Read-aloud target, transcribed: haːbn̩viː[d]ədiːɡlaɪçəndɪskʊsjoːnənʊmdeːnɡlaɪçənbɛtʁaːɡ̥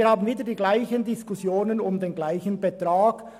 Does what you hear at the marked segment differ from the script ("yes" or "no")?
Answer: no